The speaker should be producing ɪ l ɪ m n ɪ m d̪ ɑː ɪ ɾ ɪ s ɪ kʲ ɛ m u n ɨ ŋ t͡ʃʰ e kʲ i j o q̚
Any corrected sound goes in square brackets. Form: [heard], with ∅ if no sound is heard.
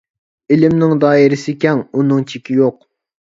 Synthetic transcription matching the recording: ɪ l ɪ m n ɪ [ŋ] d̪ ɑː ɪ ɾ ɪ s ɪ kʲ ɛ [ŋ] u n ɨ ŋ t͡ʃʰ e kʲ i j o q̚